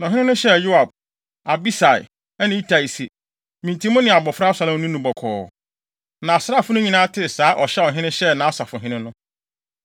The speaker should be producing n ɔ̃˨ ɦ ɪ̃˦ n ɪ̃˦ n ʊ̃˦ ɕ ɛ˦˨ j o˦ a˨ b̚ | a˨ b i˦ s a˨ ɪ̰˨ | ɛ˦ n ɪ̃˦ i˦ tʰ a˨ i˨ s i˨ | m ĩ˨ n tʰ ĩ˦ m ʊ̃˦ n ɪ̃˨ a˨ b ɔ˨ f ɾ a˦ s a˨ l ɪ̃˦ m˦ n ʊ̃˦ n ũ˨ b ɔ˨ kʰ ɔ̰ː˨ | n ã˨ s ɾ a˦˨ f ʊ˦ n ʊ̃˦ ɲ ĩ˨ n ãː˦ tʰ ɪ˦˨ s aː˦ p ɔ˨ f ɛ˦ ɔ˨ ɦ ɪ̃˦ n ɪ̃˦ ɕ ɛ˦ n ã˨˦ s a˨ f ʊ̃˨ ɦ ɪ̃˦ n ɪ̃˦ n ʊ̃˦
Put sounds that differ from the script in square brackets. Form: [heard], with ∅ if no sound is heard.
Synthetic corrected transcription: n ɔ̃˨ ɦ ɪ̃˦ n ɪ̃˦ n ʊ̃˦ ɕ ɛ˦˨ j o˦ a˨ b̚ | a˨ b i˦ s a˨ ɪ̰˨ | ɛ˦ n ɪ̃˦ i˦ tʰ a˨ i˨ s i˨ | m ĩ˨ n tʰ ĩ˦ m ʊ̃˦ n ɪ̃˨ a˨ b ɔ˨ f ɾ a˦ s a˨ l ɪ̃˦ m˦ n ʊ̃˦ n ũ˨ b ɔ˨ kʰ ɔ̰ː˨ | n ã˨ s ɾ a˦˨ f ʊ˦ n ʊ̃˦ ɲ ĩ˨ n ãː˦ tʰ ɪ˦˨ s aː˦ [ʔ] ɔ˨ [ɕ] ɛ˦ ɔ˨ ɦ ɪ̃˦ n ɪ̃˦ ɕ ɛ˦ n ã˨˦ s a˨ f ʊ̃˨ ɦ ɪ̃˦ n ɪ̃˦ n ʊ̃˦

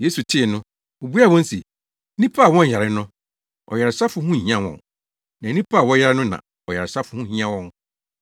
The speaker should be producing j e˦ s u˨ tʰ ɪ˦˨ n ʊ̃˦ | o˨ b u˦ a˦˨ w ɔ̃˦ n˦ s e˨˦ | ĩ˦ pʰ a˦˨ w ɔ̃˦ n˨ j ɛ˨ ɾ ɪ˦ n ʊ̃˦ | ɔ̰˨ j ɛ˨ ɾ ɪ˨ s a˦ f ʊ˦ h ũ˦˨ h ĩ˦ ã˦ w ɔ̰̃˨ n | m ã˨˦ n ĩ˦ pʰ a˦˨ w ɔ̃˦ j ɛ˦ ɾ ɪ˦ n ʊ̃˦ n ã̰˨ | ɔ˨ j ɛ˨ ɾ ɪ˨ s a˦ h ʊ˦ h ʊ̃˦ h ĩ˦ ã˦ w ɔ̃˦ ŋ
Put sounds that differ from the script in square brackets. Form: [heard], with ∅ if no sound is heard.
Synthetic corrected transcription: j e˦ s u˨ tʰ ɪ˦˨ n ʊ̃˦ | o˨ b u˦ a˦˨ w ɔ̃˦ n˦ s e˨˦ | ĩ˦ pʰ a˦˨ w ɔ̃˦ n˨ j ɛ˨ ɾ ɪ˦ n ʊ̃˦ | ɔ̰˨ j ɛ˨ ɾ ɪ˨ s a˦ f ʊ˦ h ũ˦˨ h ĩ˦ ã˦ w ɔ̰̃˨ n | [n] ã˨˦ n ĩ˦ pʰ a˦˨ w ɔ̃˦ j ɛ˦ ɾ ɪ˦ n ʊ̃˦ n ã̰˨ | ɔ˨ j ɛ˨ ɾ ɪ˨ s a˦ [f] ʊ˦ h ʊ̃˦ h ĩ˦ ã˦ w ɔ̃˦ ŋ

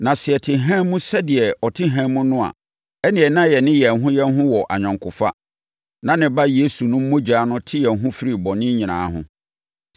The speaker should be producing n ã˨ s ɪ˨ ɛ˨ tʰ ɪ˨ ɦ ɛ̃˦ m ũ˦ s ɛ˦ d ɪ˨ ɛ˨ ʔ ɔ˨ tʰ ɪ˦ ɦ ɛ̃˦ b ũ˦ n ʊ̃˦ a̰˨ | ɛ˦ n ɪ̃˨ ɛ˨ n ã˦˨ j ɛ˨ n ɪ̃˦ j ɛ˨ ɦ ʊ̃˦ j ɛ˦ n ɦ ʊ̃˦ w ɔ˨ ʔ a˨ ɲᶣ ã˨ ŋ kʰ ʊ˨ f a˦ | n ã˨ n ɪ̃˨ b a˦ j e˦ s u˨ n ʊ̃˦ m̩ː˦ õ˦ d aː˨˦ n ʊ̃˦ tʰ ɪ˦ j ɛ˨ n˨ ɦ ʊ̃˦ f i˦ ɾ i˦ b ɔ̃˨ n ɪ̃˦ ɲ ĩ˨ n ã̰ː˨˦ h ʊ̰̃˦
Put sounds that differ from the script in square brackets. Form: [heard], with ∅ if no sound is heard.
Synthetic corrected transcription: n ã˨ s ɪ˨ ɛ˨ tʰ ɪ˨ ɦ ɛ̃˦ m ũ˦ s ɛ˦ d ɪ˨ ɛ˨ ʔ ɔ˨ tʰ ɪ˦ ɦ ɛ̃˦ [m] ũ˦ n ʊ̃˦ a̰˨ | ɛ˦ n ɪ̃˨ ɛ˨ n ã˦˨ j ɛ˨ n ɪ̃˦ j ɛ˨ ɦ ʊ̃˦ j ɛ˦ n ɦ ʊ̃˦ w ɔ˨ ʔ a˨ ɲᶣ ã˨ ŋ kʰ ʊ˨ f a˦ | n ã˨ n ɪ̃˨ b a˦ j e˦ s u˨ n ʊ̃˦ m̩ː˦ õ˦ [d͡ʑ] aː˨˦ n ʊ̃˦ tʰ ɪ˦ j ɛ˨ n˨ ɦ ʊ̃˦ f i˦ ɾ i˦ b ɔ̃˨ n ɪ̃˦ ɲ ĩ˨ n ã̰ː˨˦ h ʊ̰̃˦

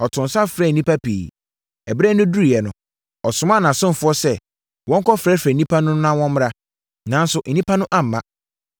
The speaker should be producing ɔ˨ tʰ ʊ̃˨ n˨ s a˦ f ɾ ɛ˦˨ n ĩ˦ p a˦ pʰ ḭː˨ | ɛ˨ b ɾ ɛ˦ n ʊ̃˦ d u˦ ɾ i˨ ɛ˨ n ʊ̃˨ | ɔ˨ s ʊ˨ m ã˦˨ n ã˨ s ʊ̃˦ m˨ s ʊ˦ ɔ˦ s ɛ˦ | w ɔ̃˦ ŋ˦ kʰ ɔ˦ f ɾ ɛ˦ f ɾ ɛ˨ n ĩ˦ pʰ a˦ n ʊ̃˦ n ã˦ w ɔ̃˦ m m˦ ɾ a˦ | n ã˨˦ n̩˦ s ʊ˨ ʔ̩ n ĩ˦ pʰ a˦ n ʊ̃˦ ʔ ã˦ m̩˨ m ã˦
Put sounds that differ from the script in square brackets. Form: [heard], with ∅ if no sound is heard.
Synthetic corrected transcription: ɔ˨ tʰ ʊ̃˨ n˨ s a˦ f ɾ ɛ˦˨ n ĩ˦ p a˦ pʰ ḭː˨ | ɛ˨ b ɾ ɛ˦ n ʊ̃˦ d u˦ ɾ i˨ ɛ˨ n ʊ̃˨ | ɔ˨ s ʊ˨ m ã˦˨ n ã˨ s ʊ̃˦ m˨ [f] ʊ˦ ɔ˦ s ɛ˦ | w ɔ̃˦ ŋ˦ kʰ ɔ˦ f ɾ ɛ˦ f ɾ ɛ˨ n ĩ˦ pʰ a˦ n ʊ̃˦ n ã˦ w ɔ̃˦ m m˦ ɾ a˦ | n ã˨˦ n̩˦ s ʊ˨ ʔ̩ n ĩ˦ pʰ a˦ n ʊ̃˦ ʔ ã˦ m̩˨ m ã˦

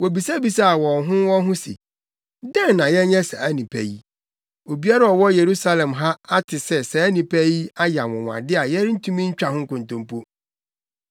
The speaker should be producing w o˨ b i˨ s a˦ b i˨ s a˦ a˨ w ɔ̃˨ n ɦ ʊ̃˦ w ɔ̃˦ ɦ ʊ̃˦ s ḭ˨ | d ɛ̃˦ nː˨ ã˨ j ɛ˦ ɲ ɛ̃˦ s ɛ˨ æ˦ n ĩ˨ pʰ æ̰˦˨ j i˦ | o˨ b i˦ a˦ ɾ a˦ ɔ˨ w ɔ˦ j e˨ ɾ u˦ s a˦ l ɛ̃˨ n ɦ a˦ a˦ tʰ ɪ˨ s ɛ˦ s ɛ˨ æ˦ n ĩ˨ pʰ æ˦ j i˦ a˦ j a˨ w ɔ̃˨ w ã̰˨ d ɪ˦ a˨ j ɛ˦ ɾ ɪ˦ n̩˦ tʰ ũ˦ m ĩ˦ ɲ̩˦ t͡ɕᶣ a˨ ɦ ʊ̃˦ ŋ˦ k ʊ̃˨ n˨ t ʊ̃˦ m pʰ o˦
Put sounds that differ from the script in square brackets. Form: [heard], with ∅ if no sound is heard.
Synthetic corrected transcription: w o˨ b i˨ s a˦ b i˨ s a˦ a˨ w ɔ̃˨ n ɦ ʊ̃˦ w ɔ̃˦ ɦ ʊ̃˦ s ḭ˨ | d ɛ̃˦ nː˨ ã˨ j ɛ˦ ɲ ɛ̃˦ s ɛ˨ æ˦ n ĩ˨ pʰ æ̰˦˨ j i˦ | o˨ b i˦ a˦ ɾ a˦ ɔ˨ w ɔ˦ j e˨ ɾ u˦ s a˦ l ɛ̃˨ [m] ɦ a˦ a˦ tʰ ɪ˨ s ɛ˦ s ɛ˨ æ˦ n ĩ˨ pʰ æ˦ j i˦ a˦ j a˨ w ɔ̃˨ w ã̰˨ d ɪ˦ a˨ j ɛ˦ ɾ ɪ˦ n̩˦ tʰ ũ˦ m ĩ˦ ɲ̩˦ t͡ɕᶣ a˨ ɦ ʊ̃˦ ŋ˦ k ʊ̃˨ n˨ t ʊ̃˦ m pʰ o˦

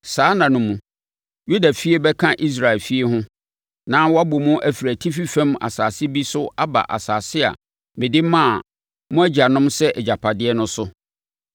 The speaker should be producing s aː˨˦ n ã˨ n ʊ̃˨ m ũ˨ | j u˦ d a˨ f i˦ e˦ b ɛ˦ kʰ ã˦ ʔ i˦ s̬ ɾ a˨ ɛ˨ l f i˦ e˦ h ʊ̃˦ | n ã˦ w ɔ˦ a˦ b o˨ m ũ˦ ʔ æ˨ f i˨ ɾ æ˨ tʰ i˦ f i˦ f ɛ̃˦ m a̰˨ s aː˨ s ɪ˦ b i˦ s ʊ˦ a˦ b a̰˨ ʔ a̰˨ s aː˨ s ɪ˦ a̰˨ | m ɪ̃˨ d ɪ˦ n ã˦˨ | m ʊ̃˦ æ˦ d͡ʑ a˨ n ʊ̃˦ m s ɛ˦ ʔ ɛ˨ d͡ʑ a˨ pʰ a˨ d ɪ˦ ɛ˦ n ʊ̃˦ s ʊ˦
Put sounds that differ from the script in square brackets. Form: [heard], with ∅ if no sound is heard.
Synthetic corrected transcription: s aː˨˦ n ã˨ n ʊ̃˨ m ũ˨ | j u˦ d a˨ f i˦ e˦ b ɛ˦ kʰ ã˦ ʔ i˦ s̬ ɾ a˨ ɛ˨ l f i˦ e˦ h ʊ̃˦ | n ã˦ w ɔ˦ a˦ b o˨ m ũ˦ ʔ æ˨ f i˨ ɾ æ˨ tʰ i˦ f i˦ f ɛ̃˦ m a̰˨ s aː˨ s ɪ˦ b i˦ s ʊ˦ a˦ b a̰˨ ʔ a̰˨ s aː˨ s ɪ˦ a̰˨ | m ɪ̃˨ d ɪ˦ [m] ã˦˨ | m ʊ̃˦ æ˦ d͡ʑ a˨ n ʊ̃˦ m s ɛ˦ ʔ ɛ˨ d͡ʑ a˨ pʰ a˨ d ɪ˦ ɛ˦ n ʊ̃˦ s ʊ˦

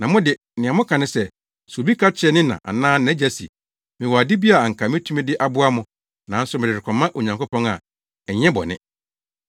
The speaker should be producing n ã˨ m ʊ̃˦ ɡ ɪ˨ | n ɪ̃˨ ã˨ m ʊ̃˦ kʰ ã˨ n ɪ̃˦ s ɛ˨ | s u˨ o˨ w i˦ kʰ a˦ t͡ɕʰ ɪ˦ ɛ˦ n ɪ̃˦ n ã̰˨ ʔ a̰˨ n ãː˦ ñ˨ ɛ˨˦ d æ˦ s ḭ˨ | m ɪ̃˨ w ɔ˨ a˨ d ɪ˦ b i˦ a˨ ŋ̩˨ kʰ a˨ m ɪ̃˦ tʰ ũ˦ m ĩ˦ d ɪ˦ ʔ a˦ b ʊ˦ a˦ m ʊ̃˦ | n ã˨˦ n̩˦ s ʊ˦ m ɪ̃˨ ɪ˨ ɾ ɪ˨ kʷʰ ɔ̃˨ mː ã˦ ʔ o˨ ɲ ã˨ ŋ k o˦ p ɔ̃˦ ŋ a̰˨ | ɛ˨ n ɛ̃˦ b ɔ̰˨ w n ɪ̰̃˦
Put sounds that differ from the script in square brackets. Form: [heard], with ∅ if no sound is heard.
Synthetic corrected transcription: n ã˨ m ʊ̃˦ [d] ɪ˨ | n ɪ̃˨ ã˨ m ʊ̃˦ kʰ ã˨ n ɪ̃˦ s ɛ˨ | s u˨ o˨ [b] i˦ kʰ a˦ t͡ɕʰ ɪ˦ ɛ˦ n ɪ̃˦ n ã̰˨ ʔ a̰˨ n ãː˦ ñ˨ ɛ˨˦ [d͡ʑ] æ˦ s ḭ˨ | m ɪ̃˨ w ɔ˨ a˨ d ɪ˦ b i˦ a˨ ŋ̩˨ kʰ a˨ m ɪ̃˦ tʰ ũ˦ m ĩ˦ d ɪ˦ ʔ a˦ b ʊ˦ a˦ m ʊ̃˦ | n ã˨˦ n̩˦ s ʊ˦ m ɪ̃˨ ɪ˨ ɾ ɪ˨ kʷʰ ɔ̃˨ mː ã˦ ʔ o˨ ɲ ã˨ ŋ k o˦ p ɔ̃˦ ŋ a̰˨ | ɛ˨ [ɲ] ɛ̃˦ b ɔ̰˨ [∅] n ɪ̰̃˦

